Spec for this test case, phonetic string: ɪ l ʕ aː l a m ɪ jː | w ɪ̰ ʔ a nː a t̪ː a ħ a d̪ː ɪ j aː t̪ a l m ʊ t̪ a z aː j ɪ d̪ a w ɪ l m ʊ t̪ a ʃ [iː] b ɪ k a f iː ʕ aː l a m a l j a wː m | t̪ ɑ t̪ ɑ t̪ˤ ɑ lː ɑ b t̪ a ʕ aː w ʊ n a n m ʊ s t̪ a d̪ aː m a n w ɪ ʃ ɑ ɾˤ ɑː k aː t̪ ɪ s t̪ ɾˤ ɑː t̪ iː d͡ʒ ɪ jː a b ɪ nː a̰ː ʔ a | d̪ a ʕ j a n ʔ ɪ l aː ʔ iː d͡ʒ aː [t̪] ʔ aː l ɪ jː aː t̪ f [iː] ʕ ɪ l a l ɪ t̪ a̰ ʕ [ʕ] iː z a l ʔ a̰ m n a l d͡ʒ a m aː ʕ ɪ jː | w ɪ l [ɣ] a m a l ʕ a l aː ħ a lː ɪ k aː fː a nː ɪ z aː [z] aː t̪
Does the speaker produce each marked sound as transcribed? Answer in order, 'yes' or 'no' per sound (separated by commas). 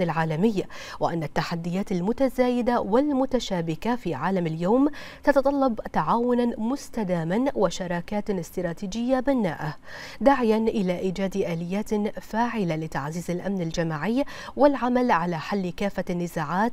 no, no, no, no, no, no